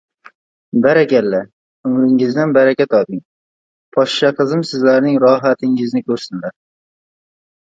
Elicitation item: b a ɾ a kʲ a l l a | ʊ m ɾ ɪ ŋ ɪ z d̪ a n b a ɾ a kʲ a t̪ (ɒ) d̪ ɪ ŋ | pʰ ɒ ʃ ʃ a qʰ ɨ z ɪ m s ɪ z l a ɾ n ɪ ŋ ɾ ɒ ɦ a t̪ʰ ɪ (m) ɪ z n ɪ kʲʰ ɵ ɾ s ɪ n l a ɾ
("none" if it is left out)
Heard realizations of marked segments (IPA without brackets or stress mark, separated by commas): ɒ, ŋ